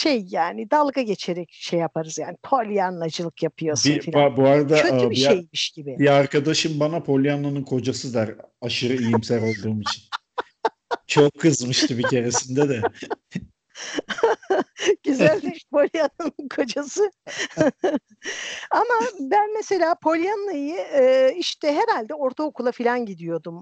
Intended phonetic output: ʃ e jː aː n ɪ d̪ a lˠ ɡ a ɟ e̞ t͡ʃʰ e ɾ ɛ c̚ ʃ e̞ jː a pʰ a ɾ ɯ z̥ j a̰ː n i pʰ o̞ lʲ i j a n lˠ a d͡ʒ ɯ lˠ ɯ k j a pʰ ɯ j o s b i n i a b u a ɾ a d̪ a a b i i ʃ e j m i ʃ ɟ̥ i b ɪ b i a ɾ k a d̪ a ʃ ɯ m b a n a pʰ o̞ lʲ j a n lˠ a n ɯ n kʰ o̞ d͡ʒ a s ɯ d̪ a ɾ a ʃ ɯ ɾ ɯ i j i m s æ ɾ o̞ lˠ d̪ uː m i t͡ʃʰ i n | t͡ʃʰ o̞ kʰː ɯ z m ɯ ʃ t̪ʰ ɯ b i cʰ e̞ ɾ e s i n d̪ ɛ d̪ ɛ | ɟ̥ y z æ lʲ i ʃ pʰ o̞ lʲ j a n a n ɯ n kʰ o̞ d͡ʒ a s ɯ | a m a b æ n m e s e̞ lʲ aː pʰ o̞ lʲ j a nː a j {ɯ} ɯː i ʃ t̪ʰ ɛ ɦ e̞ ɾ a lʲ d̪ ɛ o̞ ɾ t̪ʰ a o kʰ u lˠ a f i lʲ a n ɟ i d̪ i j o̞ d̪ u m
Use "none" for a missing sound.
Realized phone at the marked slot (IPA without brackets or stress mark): ɯ